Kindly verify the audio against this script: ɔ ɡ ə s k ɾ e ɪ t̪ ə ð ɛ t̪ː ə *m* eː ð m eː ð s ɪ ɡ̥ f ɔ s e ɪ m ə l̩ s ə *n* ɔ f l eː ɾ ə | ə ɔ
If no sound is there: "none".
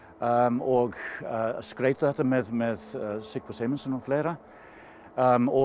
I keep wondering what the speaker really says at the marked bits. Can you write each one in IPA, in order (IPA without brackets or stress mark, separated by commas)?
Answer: m, n